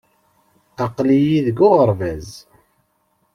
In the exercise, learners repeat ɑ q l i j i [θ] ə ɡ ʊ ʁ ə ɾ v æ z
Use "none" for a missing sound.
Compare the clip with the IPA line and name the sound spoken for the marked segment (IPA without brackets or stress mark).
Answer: ð